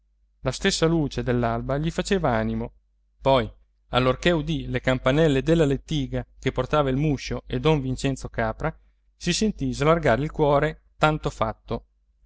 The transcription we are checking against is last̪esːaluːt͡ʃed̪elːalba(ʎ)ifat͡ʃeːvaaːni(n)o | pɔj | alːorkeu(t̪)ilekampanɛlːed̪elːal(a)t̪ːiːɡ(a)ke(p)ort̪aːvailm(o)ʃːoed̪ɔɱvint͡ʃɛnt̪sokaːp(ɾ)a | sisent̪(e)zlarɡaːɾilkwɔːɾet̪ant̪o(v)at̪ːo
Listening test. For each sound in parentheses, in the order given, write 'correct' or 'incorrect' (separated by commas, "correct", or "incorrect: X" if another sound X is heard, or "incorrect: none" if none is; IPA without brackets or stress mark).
correct, incorrect: m, incorrect: d̪, incorrect: e, correct, correct, incorrect: u, correct, incorrect: i, incorrect: f